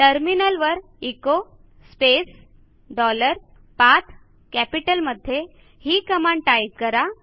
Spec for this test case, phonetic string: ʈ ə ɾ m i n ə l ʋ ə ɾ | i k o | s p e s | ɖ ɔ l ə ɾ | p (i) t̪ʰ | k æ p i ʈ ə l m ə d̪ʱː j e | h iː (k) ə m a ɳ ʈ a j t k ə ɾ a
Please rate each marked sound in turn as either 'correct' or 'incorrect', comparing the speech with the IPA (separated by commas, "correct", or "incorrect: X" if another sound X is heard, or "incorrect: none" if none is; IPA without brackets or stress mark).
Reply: incorrect: a, correct